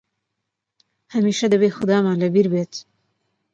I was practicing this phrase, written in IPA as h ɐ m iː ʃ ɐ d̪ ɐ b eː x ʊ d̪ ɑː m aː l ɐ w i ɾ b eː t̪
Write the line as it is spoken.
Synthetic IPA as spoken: h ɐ m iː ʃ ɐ d̪ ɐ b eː x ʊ d̪ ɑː m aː l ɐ b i ɾ b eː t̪